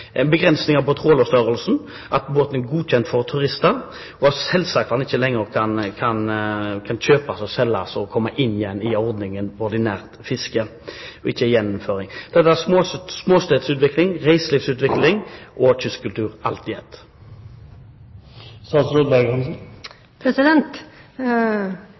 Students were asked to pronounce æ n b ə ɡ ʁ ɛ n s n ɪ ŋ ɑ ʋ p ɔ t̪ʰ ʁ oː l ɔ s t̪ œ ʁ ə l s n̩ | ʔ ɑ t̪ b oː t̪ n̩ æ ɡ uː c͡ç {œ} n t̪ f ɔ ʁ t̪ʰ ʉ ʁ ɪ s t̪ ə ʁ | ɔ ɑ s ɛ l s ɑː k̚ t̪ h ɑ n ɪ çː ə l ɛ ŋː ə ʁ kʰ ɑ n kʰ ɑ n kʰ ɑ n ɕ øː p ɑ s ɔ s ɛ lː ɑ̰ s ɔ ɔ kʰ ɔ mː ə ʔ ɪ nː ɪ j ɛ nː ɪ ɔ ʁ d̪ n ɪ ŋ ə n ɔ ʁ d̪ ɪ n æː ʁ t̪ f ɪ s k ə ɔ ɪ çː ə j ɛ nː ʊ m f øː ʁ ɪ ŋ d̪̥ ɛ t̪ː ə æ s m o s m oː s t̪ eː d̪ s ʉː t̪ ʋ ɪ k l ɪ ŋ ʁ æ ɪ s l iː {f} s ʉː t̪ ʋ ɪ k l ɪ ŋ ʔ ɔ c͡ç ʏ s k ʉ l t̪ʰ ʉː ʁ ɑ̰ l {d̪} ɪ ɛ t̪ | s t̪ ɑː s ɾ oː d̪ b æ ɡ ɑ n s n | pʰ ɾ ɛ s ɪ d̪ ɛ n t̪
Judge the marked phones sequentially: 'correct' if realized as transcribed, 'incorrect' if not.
incorrect: ɛ, correct, incorrect: t̪

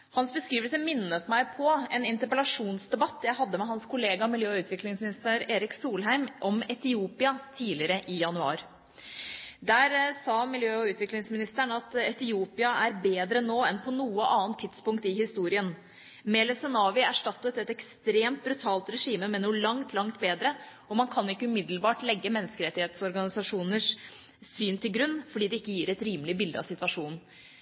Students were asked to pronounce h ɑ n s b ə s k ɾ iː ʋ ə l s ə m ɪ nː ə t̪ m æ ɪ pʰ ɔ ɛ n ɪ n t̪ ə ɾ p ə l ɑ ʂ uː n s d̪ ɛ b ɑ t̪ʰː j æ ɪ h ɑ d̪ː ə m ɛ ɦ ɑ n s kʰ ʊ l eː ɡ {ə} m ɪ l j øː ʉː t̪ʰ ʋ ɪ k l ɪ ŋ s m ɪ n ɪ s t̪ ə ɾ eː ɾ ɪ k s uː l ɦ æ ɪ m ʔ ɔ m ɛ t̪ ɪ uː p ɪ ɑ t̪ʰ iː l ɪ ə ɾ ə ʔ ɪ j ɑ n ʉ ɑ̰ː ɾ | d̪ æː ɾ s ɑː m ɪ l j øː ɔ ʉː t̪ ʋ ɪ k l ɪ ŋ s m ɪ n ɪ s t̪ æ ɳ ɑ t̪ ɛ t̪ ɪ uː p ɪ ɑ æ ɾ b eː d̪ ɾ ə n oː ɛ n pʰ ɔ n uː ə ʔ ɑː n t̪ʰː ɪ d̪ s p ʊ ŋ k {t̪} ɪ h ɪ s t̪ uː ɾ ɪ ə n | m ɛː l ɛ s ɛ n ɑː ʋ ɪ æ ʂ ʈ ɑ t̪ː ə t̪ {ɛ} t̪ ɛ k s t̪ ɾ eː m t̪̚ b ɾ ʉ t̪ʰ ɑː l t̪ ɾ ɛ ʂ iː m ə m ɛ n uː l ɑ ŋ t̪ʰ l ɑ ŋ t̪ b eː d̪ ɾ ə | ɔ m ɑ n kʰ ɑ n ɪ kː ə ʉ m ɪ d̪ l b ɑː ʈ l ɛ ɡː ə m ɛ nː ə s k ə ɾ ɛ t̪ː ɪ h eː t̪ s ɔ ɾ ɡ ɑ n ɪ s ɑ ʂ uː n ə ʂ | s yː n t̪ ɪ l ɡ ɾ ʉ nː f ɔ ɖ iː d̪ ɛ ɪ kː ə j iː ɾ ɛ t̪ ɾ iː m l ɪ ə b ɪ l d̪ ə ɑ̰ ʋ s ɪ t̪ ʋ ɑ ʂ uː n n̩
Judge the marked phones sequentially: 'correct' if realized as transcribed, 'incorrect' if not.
incorrect: ɑ, correct, correct

